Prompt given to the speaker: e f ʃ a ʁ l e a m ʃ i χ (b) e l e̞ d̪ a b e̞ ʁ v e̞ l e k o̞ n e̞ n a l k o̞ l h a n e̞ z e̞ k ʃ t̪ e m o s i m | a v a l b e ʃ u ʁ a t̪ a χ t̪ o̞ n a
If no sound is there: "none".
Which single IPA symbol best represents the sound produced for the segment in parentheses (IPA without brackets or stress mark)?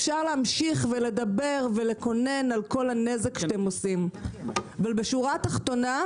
v